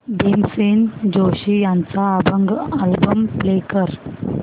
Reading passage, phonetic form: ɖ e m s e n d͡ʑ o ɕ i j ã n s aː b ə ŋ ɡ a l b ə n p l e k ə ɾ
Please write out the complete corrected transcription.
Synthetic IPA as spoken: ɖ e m s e n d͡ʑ o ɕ i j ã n t͡s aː b ə ŋ ɡ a l b ə m p l e k ə ɾ